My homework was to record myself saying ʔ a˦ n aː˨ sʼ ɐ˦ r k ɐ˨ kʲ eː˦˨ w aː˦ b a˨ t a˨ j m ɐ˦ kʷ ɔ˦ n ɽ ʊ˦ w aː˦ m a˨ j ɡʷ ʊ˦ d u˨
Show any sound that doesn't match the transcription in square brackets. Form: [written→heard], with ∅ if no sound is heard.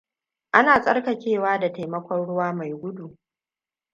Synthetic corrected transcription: ʔ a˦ n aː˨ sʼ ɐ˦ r k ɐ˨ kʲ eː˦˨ w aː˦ [b→d] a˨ t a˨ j m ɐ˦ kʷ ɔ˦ n ɽ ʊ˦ w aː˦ m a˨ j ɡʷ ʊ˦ d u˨